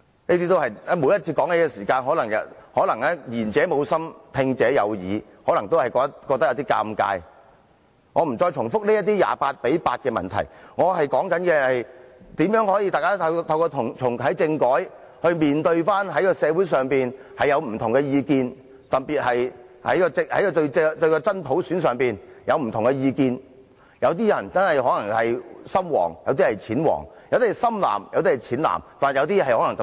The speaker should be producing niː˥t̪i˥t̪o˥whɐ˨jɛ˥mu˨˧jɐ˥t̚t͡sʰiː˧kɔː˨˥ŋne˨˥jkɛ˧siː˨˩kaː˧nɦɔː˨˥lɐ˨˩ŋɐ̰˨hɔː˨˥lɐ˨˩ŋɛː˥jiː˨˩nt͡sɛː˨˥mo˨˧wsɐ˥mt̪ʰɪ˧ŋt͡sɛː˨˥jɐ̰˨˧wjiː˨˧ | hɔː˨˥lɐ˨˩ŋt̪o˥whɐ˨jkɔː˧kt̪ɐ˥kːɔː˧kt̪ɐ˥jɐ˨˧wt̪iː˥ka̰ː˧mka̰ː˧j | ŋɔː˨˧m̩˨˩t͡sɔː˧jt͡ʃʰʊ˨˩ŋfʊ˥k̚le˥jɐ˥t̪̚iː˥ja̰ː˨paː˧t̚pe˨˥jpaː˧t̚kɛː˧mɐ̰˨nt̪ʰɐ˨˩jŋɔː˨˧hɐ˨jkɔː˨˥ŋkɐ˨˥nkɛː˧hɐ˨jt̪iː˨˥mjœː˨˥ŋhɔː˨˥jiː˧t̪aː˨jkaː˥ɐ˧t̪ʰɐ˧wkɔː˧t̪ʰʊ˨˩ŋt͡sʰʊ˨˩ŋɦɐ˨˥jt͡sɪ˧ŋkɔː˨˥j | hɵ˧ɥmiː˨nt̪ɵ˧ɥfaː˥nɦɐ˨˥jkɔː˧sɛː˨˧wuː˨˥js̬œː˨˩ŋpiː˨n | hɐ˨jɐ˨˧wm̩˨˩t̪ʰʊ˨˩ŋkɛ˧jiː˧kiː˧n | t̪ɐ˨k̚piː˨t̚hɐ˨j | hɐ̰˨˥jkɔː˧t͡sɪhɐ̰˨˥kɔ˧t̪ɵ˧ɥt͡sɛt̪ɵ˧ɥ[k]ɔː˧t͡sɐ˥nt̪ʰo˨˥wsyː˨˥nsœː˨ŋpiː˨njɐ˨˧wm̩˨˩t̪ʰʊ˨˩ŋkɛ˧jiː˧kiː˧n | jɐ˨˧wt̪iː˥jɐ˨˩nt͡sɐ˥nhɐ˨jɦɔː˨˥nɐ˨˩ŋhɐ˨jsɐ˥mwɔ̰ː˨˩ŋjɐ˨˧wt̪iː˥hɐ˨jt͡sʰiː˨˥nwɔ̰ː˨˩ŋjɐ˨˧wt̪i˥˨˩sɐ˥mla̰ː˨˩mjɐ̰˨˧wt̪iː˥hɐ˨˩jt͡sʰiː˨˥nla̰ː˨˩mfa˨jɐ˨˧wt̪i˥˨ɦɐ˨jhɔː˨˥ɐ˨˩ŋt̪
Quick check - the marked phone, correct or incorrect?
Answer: correct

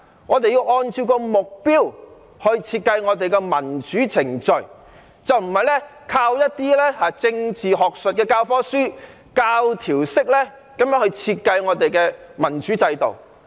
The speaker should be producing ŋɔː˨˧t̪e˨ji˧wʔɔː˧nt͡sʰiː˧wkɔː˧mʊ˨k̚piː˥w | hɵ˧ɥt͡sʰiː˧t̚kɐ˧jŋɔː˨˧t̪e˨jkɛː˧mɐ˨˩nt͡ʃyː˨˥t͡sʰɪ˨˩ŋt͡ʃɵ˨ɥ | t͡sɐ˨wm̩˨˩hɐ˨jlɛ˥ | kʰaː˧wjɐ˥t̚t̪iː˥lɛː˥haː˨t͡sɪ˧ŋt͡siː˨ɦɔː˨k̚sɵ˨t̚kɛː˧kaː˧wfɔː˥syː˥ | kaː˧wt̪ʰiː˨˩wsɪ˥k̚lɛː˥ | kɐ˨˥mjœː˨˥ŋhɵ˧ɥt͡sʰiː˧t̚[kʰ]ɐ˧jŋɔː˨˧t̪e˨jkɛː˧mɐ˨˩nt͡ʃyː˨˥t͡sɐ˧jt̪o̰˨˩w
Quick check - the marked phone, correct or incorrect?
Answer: incorrect: k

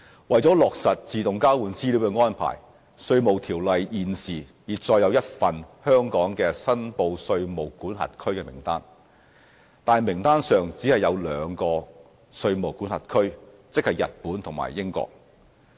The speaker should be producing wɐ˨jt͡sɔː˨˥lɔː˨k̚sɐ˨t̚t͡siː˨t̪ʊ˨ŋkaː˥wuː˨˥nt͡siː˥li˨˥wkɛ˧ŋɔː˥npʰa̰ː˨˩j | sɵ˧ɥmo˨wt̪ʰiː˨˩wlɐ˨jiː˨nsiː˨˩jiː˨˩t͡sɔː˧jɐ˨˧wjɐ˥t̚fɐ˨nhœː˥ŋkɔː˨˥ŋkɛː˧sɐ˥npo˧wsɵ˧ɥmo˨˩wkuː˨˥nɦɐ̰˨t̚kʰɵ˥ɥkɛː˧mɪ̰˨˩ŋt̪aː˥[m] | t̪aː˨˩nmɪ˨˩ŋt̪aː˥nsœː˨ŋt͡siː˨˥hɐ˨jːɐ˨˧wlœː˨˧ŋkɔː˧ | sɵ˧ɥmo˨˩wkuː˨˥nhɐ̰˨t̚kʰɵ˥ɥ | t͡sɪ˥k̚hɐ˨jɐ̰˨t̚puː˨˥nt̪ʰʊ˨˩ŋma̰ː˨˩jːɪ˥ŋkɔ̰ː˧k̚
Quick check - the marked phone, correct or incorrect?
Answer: incorrect: n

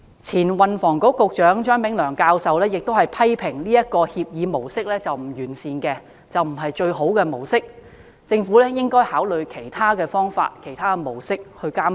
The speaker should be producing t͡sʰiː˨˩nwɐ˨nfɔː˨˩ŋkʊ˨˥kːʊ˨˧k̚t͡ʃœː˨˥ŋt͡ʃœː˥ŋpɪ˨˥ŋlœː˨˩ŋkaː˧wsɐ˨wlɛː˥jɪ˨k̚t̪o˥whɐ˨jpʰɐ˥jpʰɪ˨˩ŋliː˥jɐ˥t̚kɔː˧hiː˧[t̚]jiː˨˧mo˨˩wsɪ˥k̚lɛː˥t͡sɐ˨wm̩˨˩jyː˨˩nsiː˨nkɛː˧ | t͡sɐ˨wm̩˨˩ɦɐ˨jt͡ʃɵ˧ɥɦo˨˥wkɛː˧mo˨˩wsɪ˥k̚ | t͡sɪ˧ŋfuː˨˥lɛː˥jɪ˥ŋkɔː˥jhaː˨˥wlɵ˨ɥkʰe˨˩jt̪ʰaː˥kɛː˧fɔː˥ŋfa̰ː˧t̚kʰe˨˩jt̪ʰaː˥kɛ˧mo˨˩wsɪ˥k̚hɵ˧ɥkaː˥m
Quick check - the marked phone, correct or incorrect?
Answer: incorrect: p̚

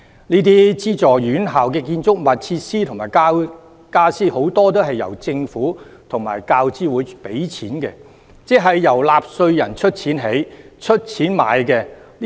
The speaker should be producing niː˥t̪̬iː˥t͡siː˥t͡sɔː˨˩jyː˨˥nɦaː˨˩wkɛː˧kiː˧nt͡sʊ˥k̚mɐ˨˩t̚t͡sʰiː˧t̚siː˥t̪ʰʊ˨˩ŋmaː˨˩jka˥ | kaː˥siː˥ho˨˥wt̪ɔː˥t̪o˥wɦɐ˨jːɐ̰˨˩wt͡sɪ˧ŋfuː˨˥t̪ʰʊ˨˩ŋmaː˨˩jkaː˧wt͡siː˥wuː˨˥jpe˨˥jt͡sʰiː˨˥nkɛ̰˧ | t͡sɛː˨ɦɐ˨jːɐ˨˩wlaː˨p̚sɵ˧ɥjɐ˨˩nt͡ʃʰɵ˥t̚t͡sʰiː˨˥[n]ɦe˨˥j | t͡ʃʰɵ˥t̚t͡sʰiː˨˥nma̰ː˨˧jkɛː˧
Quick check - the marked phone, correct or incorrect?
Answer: correct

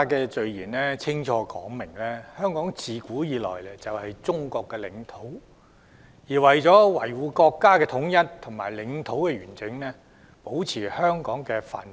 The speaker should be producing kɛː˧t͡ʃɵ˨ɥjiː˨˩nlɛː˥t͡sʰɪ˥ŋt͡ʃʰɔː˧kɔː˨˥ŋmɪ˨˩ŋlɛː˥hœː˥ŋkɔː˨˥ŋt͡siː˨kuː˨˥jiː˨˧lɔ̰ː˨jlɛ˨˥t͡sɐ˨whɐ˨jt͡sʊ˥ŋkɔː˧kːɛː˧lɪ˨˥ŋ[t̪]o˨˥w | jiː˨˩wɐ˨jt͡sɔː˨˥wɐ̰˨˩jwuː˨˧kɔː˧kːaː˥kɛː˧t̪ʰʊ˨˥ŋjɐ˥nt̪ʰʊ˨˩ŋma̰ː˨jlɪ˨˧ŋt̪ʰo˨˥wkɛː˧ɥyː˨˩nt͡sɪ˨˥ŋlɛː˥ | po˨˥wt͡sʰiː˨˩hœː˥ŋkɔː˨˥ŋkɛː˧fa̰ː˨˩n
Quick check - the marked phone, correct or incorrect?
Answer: incorrect: t̪ʰ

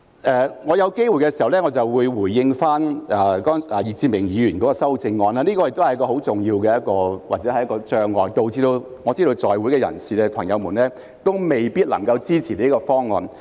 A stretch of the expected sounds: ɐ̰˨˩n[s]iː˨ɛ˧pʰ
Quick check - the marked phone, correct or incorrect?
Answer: correct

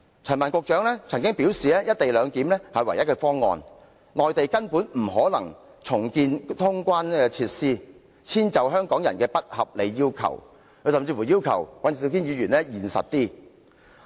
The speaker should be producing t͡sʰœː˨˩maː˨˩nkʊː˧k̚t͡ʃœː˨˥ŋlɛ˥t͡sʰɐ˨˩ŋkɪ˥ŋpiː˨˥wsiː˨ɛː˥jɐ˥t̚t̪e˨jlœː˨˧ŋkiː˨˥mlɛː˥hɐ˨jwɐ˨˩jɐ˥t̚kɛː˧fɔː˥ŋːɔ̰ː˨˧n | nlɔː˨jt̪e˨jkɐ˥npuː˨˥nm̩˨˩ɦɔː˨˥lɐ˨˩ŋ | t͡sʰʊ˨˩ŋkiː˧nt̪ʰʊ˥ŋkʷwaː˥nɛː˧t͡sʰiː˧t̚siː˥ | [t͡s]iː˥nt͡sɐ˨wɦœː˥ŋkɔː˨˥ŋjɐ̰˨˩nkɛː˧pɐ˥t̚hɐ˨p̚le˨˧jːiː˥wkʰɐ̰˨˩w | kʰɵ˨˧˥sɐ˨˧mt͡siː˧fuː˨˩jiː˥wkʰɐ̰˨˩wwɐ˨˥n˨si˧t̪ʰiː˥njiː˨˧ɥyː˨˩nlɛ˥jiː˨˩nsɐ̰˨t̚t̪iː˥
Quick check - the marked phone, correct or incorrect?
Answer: incorrect: t͡sʰ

